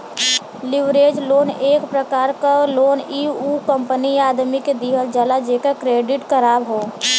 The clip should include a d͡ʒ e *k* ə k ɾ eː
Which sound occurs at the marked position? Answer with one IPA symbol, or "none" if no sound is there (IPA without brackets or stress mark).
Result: k